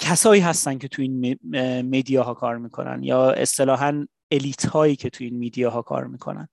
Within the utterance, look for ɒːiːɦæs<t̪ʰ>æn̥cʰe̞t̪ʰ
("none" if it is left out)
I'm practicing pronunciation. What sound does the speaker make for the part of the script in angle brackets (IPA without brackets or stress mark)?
t̪